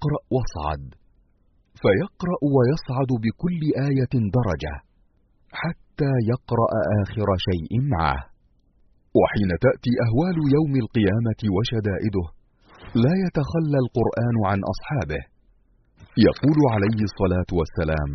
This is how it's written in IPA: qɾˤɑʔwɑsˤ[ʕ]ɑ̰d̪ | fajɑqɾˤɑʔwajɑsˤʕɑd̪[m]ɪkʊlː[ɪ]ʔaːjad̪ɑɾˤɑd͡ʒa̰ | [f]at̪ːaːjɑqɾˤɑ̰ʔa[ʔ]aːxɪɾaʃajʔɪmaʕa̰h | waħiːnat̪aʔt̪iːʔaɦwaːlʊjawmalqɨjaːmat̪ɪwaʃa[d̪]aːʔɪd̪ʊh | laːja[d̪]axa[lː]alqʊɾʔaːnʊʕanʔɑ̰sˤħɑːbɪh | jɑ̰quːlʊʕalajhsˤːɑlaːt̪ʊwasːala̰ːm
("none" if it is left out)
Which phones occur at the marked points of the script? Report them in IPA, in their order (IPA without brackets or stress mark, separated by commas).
ʕ, b, ɪ, ħ, ʔ, d̪, t̪, lː